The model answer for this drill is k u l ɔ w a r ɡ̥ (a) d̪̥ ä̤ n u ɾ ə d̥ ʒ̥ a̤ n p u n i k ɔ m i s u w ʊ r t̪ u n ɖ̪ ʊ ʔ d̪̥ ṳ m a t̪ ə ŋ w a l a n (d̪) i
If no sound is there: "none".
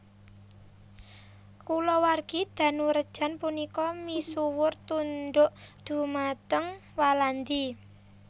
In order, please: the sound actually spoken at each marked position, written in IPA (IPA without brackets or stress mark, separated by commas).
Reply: i, d̪